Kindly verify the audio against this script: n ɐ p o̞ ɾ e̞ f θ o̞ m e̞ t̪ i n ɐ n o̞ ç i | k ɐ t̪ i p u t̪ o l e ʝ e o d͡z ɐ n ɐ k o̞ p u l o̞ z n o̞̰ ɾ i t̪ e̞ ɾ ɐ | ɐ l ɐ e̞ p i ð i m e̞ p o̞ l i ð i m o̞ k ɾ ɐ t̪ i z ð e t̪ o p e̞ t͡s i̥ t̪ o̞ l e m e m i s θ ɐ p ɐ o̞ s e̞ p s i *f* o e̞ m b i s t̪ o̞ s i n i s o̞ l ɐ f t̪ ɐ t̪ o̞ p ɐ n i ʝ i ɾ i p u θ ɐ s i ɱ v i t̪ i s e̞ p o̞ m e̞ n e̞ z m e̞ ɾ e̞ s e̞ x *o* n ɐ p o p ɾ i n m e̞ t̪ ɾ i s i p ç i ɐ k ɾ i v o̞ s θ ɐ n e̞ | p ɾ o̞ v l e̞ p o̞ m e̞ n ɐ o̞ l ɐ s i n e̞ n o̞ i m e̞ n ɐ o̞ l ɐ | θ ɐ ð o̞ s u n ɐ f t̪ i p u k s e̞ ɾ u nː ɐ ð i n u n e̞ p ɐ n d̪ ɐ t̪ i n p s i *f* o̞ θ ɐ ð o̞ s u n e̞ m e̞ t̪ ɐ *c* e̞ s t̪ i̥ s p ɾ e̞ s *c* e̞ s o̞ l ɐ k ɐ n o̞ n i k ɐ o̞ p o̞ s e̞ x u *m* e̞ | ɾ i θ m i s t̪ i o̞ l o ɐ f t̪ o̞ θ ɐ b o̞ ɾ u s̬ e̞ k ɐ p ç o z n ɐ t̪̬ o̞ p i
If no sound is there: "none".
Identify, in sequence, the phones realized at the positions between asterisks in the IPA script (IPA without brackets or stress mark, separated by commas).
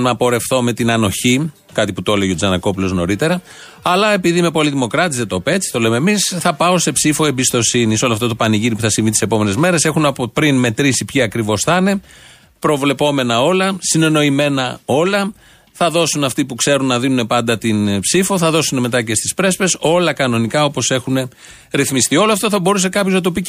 f, u, f, c, p, n